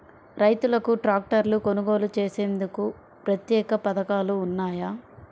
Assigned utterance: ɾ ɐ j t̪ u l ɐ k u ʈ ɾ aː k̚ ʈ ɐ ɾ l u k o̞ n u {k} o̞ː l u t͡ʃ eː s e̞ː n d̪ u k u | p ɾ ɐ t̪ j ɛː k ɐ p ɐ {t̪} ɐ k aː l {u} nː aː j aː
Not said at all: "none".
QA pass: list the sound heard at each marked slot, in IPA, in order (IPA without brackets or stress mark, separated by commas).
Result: ɡ, d̪, uː